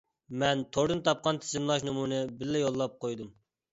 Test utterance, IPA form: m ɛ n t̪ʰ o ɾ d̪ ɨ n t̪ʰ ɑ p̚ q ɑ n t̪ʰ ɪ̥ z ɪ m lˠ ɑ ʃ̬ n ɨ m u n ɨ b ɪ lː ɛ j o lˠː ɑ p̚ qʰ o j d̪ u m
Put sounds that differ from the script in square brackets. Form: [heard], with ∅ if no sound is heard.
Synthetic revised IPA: m ɛ n t̪ʰ o ɾ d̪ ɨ n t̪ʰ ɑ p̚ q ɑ n t̪ʰ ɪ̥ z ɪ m lˠ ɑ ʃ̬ n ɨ m u n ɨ b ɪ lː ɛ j o lˠː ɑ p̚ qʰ o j d̪ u m